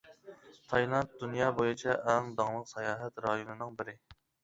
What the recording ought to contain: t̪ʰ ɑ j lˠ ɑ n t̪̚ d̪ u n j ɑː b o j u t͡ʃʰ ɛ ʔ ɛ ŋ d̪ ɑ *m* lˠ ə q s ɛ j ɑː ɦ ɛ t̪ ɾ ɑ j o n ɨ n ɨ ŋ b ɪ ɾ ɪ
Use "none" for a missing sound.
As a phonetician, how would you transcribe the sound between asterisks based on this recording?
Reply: ŋ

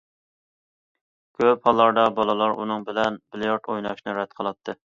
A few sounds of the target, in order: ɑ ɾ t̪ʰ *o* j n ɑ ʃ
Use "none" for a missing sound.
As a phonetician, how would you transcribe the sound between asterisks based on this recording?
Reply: o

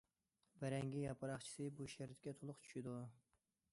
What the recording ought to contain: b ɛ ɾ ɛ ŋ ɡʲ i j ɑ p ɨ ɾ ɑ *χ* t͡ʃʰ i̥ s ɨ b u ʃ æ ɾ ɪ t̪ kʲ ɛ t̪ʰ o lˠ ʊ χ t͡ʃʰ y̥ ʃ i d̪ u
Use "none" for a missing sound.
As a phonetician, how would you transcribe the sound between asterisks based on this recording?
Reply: χ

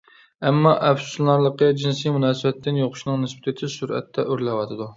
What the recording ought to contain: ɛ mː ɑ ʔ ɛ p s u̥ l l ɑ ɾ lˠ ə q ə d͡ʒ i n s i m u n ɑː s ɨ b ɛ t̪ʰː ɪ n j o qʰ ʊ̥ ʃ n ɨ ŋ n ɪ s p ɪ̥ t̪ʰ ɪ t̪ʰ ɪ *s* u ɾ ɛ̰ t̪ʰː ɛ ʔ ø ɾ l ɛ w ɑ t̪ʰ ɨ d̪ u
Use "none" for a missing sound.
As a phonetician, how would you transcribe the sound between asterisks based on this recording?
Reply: s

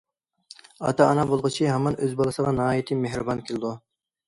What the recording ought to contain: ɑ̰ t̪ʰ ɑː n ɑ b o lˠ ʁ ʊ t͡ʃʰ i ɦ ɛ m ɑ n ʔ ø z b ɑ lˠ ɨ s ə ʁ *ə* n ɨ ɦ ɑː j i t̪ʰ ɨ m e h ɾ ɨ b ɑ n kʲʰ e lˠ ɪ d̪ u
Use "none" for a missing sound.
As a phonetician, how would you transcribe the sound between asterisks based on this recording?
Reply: ɑ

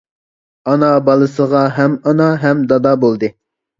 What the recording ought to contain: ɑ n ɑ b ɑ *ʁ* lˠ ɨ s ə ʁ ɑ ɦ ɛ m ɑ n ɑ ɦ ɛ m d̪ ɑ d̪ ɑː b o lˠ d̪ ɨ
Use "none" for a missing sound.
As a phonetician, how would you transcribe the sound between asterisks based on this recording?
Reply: none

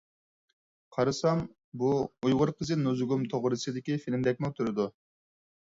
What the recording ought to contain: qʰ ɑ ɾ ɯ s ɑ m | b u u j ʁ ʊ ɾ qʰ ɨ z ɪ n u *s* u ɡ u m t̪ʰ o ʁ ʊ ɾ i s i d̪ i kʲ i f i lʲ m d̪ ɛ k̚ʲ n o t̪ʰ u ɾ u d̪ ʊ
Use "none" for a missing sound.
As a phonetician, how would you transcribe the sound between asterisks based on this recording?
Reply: z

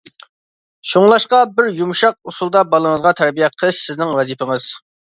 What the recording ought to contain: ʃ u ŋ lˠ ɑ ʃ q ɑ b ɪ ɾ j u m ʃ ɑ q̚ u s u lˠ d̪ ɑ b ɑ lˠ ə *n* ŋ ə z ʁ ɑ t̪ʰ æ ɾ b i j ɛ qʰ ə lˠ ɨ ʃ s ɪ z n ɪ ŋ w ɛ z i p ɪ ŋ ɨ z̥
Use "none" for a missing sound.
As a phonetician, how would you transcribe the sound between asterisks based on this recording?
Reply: none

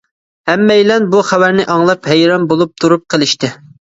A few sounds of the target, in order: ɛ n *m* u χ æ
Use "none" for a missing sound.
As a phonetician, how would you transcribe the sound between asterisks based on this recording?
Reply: b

